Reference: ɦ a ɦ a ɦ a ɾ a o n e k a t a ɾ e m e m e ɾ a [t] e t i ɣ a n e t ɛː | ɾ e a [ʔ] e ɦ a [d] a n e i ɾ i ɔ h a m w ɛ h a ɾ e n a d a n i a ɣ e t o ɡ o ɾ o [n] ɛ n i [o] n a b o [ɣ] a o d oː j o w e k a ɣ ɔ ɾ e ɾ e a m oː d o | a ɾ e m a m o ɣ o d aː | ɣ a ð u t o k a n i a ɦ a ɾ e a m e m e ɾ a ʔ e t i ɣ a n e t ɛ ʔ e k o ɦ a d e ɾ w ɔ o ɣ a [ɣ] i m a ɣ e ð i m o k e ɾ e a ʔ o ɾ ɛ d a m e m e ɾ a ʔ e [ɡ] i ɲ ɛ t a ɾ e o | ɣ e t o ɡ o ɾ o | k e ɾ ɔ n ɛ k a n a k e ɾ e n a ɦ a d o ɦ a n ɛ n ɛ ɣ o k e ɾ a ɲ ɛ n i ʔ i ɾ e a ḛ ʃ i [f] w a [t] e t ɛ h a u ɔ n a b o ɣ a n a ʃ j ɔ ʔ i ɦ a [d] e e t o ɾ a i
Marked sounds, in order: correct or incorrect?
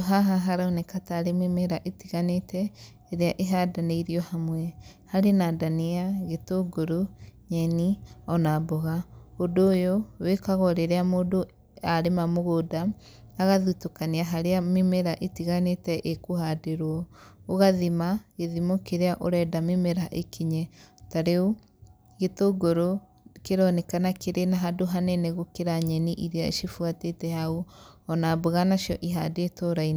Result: incorrect: ʔ, correct, correct, incorrect: ɲ, incorrect: ɔ, correct, incorrect: ð, incorrect: k, correct, correct, correct

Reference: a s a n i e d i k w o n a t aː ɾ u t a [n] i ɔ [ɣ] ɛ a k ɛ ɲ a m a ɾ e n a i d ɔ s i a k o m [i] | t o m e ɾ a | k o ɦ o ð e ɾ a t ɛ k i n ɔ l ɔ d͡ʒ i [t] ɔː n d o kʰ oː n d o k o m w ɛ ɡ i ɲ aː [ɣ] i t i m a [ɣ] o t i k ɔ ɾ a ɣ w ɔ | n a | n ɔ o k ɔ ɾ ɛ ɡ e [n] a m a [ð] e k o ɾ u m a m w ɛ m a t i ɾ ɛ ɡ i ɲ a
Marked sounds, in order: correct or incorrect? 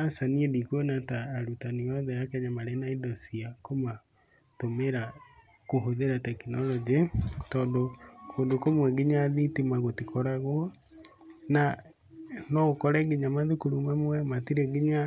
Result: correct, incorrect: ð, incorrect: a, correct, incorrect: ð, correct, incorrect: ɲ, correct

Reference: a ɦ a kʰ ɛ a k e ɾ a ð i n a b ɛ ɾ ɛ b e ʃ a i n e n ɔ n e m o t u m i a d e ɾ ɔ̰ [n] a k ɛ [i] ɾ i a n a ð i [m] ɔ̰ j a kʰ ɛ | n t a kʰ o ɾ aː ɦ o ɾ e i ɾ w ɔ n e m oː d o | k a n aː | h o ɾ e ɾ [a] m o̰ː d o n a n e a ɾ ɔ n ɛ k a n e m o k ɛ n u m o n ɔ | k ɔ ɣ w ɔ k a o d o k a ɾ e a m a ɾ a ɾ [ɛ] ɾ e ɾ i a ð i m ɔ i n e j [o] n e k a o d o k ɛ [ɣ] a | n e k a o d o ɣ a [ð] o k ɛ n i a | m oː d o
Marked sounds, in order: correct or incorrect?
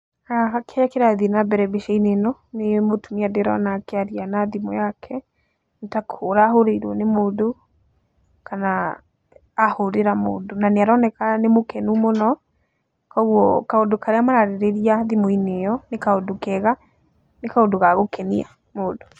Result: correct, incorrect: a, correct, correct, incorrect: e, incorrect: ɔ, correct, incorrect: ɣ

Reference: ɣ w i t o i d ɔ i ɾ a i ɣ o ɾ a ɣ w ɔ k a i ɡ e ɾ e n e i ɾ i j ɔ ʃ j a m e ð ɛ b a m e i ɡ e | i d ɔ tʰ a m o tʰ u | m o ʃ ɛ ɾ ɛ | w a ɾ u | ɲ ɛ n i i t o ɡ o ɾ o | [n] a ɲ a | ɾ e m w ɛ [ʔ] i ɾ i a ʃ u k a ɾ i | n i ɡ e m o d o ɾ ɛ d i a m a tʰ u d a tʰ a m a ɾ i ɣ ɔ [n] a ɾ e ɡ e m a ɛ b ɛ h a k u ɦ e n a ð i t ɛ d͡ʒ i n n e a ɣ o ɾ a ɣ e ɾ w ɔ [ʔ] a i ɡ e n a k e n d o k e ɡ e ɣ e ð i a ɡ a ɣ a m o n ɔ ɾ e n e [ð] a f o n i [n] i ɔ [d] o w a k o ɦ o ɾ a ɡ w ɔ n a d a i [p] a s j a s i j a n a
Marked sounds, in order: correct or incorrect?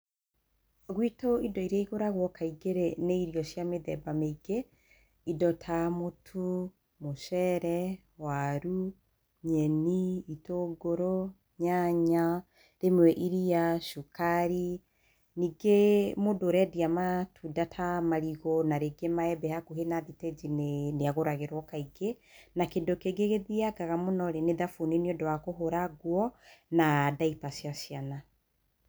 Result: incorrect: ɲ, correct, correct, incorrect: k, correct, correct, correct, correct

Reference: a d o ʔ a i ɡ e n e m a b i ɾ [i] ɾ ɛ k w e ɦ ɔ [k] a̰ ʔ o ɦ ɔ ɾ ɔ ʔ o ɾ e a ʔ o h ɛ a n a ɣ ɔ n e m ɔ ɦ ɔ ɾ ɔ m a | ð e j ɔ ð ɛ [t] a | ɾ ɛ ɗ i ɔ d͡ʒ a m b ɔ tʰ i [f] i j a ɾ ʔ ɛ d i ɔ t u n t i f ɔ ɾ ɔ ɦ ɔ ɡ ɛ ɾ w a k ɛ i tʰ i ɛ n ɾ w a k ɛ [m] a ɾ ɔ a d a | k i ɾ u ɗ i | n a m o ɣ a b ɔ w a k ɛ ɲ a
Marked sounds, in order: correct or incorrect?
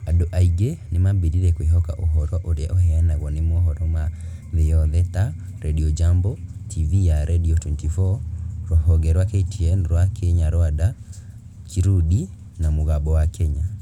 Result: correct, correct, correct, incorrect: v, incorrect: ɲ

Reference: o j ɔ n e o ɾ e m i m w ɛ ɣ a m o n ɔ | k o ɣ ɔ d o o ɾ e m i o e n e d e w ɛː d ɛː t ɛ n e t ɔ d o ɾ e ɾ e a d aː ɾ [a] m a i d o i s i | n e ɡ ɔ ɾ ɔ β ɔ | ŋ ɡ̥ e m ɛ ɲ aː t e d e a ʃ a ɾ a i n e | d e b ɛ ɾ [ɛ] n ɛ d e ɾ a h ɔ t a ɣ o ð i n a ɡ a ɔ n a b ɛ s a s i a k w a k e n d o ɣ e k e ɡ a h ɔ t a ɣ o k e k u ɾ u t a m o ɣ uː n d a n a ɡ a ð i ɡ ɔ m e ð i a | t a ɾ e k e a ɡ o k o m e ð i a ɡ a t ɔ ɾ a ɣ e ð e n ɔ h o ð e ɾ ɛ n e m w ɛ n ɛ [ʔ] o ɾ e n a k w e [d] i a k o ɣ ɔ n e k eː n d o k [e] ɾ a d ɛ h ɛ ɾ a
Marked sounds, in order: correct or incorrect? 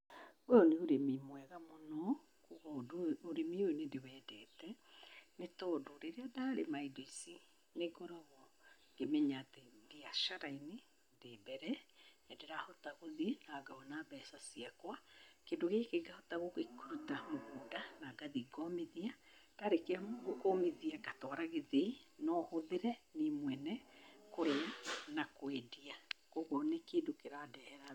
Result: incorrect: e, correct, incorrect: k, correct, correct

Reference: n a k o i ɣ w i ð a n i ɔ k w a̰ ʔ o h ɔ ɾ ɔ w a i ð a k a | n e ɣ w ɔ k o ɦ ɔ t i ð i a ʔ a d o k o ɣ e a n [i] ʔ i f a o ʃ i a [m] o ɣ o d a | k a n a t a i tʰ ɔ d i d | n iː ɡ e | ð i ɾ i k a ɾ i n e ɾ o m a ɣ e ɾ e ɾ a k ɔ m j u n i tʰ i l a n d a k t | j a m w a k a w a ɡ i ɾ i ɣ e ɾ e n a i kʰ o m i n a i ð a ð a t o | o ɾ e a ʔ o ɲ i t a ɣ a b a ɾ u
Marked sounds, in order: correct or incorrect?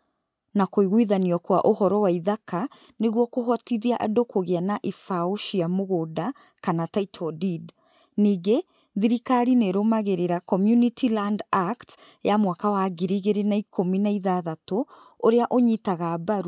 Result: incorrect: a, correct

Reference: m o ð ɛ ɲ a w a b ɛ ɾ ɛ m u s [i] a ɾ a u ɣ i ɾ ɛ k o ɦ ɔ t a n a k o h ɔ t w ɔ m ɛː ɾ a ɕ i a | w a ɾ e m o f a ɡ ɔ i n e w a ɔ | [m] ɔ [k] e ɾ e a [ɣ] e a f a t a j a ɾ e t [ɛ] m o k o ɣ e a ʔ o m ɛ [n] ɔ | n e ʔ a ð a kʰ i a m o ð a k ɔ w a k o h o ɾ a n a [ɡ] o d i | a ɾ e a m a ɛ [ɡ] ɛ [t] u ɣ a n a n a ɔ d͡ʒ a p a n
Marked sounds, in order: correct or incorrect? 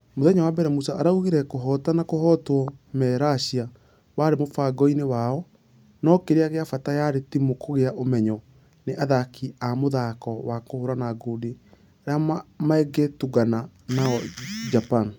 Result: incorrect: a, incorrect: n, correct, correct, incorrect: i, incorrect: ɲ, correct, correct, correct

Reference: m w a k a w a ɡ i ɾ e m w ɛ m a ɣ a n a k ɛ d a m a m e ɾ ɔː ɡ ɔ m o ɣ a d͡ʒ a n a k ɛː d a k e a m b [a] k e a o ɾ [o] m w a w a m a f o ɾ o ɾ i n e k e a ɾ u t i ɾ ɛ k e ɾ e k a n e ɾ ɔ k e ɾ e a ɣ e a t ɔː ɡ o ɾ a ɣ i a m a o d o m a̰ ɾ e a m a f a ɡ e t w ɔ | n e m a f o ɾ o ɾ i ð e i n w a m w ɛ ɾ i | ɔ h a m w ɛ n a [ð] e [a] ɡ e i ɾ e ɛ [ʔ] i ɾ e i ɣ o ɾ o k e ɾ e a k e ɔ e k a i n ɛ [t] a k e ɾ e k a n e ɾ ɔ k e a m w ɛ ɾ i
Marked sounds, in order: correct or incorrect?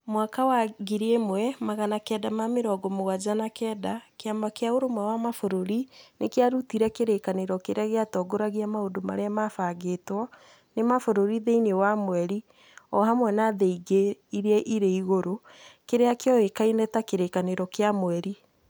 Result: correct, correct, correct, incorrect: i, correct, correct

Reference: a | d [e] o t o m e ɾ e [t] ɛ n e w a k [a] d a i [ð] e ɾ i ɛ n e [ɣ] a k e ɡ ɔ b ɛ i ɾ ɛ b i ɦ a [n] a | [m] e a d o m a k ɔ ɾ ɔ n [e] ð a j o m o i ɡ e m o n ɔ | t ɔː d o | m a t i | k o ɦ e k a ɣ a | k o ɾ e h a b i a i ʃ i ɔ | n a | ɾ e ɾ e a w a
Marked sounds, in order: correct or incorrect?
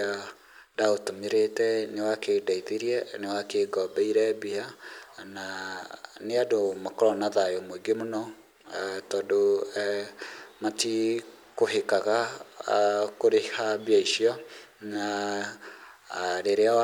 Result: incorrect: a, correct, incorrect: e, correct, incorrect: w, correct, incorrect: n, incorrect: a

